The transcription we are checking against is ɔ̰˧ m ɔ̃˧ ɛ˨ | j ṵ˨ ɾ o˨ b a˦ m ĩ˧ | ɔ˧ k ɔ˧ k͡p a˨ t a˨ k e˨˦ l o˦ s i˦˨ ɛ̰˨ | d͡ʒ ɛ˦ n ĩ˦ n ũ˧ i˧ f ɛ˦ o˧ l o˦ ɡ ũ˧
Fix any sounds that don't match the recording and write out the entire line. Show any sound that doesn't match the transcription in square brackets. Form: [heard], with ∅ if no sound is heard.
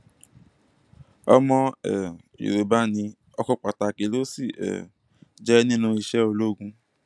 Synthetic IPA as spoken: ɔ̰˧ m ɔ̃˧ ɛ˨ | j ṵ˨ ɾ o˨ b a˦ [n] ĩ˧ | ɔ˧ k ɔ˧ k͡p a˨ t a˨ k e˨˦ l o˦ s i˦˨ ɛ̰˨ | d͡ʒ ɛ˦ n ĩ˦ n ũ˧ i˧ [ʃ] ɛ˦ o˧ l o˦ ɡ ũ˧